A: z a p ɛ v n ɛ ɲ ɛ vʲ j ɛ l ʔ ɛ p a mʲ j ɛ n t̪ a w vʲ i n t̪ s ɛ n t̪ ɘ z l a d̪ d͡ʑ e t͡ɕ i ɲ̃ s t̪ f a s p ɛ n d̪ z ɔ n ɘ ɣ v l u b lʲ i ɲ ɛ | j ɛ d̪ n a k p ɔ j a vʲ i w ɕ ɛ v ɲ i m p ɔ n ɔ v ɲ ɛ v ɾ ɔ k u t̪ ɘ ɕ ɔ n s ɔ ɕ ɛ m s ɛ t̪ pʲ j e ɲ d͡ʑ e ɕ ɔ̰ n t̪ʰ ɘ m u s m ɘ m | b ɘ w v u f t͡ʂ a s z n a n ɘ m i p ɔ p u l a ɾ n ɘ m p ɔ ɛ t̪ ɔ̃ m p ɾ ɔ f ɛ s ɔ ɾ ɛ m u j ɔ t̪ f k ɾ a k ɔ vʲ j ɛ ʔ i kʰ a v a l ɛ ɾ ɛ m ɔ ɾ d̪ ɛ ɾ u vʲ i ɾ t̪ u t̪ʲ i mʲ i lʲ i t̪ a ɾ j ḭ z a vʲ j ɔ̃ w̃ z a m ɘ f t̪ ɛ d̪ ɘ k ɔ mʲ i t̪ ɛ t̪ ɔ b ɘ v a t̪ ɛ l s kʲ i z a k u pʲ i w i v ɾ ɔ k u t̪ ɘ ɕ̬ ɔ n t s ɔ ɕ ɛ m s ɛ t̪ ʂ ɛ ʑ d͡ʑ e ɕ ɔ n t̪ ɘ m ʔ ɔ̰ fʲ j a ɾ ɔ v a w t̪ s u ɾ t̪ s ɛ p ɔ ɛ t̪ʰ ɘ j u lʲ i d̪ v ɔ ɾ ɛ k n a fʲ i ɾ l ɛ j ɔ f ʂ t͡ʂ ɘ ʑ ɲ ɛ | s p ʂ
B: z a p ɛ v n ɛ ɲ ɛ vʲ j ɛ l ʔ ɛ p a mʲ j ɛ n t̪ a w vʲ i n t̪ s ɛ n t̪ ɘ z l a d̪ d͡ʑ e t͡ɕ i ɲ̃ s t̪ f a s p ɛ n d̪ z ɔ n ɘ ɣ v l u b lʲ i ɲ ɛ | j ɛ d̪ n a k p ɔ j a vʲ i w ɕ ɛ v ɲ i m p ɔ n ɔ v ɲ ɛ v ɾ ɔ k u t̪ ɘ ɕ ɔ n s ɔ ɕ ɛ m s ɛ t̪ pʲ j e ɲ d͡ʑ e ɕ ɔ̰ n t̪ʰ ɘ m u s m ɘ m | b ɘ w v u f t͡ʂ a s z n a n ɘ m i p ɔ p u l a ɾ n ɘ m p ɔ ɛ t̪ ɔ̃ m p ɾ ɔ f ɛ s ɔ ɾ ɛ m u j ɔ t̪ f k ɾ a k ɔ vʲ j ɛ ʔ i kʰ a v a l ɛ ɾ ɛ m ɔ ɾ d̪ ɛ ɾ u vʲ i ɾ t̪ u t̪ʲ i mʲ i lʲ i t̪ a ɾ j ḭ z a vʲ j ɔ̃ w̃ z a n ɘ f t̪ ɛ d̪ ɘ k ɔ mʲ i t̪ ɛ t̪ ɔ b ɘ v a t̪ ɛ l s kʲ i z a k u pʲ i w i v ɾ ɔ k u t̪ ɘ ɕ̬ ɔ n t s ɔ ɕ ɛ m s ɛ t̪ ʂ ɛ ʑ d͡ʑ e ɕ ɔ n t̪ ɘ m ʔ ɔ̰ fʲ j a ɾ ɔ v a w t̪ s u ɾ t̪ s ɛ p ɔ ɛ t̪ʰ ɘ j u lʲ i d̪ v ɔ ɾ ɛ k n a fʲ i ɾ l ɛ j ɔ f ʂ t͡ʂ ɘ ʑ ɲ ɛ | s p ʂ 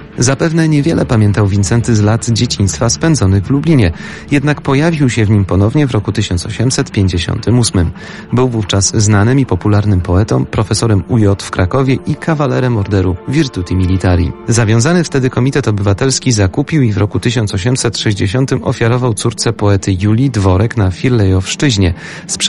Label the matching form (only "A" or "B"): B